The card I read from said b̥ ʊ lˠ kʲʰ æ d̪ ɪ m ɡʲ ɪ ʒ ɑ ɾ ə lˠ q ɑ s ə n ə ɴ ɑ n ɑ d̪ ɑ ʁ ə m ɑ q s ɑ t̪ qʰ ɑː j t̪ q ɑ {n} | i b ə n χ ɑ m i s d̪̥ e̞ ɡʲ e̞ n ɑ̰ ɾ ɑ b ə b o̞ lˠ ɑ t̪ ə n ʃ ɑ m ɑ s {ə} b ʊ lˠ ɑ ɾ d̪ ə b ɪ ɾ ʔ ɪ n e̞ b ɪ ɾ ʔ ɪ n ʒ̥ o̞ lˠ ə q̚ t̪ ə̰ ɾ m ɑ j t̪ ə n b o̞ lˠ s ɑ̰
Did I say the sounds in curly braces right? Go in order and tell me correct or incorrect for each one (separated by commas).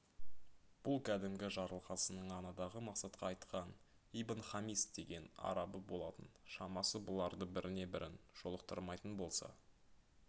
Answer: correct, correct